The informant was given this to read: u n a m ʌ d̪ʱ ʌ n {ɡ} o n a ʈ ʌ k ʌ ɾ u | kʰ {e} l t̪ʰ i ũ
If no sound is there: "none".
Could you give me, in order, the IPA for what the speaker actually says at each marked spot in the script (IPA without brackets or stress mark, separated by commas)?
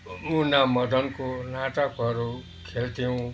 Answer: k, e